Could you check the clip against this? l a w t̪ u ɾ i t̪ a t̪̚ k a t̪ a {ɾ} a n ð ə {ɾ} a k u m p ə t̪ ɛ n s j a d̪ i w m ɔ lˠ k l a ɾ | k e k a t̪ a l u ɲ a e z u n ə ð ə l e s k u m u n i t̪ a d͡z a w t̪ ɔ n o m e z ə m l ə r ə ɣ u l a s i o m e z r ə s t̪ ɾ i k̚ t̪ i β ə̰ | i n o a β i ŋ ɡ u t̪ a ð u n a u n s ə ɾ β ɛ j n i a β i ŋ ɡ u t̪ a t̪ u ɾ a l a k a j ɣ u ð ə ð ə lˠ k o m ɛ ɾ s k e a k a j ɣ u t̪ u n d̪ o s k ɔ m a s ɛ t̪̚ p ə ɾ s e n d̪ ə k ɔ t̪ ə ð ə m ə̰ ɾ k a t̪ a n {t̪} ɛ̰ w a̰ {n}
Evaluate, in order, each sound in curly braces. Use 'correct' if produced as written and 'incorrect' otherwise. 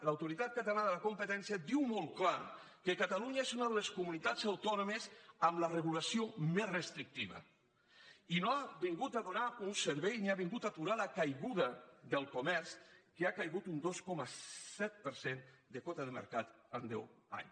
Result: incorrect, incorrect, incorrect, incorrect

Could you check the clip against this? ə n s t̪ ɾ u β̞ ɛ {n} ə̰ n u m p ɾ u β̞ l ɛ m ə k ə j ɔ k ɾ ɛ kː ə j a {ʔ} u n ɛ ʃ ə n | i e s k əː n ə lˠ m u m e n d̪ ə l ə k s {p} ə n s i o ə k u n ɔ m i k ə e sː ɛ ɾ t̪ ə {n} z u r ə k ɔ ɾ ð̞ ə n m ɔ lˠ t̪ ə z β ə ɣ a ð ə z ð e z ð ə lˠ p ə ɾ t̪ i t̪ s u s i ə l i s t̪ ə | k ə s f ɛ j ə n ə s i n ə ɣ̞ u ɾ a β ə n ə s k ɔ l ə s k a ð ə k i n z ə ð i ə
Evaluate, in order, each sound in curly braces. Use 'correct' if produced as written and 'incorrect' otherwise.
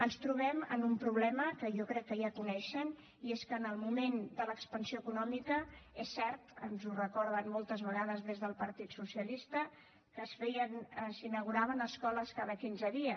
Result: incorrect, incorrect, correct, correct

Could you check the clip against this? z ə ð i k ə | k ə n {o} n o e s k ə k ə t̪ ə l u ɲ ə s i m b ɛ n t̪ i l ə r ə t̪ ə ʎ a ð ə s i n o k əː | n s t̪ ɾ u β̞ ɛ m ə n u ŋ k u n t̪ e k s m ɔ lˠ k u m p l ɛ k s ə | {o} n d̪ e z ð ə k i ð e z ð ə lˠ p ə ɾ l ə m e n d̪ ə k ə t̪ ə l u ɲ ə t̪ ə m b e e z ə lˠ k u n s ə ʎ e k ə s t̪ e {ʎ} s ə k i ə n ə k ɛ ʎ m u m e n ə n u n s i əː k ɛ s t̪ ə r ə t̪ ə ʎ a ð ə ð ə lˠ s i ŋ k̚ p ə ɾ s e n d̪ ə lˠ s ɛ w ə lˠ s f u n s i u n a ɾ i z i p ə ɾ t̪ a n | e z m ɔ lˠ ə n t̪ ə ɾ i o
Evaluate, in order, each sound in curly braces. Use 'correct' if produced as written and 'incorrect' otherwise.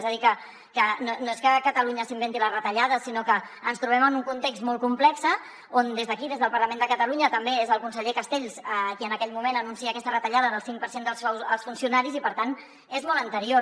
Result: correct, correct, correct

